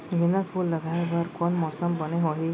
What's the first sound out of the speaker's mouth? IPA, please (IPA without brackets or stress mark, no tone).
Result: ɡ